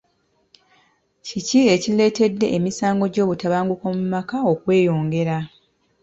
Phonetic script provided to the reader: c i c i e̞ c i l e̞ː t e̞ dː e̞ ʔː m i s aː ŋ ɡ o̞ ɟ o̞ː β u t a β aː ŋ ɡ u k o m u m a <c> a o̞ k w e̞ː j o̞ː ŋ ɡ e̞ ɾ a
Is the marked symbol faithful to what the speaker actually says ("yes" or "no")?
no